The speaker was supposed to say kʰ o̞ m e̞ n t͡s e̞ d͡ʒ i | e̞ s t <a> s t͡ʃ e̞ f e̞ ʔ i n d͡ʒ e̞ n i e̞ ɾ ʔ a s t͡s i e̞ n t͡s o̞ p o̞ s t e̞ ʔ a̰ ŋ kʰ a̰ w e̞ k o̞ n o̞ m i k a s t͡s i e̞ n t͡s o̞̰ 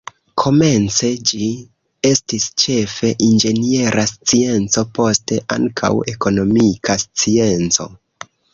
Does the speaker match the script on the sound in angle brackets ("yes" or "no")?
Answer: no